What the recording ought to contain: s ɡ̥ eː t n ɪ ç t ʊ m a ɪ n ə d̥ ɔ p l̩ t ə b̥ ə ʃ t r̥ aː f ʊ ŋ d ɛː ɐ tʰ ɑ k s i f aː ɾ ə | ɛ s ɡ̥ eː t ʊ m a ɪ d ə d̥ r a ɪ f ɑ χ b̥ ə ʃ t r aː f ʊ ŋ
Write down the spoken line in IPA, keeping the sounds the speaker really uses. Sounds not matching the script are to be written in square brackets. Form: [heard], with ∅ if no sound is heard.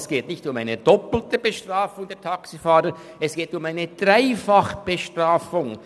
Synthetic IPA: s ɡ̥ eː t n ɪ ç t ʊ m a ɪ n ə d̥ ɔ p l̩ t ə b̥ ə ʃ t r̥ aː f ʊ ŋ d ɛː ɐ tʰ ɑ k s i f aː ɾ ə | ɛ s ɡ̥ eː t ʊ m a ɪ [n] ə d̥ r a ɪ f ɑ χ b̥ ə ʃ t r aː f ʊ ŋ